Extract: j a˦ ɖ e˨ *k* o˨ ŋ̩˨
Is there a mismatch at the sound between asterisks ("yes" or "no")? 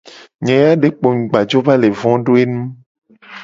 yes